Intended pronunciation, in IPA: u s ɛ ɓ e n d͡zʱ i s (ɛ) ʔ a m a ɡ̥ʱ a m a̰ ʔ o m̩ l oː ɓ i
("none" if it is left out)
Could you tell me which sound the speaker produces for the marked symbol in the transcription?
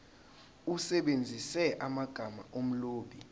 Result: ɛ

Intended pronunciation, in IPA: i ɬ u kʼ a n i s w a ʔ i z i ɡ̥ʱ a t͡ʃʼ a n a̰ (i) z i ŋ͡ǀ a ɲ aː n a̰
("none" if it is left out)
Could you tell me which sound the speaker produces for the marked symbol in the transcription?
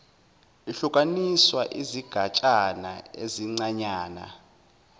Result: e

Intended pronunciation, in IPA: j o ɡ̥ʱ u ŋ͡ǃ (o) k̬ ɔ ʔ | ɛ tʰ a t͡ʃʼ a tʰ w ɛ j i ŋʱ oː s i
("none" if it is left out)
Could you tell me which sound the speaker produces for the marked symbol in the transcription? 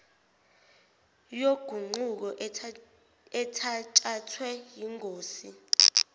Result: u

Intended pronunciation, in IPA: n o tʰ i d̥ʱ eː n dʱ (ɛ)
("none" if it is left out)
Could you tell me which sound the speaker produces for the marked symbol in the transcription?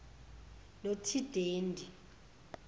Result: i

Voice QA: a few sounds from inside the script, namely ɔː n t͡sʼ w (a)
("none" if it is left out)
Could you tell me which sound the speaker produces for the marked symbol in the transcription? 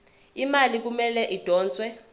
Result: ɛ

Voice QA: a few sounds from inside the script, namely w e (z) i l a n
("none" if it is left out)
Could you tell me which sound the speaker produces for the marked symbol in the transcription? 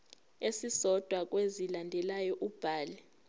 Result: z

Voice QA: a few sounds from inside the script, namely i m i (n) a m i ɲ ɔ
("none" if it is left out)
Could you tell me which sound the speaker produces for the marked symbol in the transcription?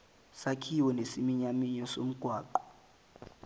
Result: ɲ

